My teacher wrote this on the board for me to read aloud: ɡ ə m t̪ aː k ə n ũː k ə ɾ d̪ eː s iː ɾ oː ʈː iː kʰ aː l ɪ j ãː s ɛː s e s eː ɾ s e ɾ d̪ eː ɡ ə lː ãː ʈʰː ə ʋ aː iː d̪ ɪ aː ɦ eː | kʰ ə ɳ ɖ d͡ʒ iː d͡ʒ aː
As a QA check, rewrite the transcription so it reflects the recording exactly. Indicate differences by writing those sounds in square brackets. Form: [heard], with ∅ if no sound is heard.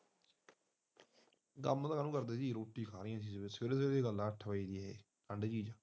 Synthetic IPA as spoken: ɡ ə m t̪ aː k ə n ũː k ə ɾ d̪ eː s iː ɾ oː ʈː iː kʰ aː [ɾ] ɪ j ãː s [iː] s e s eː ɾ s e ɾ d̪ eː ɡ ə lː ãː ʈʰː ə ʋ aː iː d̪ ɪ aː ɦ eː | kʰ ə ɳ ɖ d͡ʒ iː d͡ʒ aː

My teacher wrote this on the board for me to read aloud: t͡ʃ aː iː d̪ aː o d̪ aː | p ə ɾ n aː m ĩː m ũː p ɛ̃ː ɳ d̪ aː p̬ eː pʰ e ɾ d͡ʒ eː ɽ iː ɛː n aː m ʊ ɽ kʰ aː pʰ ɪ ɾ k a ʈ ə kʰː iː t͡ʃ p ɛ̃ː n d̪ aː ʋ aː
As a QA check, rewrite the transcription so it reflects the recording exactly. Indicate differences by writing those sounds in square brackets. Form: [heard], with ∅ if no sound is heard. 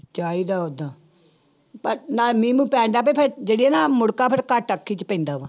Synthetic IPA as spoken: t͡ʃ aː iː d̪ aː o d̪ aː | p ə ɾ n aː m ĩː m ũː p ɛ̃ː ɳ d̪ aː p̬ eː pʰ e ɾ d͡ʒ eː ɽ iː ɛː n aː m ʊ ɽ [k] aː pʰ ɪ ɾ k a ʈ ə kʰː iː t͡ʃ p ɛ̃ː n d̪ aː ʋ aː

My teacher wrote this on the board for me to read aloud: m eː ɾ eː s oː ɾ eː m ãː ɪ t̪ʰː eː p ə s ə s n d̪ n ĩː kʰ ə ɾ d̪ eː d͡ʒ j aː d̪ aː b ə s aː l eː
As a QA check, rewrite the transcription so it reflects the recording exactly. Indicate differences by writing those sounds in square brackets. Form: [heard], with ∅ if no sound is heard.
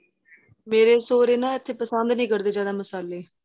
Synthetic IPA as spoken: m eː ɾ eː s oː ɾ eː [n] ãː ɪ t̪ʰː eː p ə s ə [∅] n d̪ n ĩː [k] ə ɾ d̪ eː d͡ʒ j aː d̪ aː [m] ə s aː l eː

